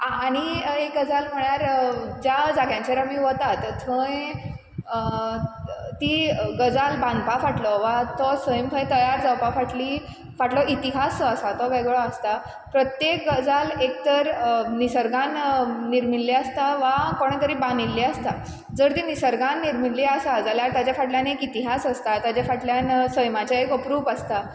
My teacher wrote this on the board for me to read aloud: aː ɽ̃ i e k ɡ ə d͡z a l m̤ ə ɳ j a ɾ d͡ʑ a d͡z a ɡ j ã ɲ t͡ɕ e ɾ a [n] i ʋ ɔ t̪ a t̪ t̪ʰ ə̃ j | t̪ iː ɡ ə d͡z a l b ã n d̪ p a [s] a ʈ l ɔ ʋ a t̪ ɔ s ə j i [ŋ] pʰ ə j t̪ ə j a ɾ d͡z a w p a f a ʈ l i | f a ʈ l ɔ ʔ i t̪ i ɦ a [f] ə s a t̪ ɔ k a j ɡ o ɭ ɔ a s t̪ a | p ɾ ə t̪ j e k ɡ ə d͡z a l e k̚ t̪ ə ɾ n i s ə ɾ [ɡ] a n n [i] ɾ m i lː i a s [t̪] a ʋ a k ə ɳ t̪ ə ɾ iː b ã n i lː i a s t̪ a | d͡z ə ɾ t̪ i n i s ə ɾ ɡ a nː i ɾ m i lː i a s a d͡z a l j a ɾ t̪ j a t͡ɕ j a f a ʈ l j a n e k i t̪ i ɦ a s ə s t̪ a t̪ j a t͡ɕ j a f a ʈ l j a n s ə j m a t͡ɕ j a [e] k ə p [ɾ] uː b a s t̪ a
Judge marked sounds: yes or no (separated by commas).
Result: no, no, no, no, yes, yes, yes, yes, yes